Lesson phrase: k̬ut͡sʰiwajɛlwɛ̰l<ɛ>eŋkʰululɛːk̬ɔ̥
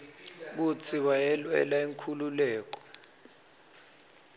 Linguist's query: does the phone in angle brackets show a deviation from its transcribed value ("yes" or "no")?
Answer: yes